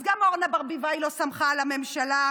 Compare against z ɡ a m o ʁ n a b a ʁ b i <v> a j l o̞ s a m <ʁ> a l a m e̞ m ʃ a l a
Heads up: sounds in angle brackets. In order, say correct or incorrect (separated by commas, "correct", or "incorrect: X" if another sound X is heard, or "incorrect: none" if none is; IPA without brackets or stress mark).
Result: correct, incorrect: χ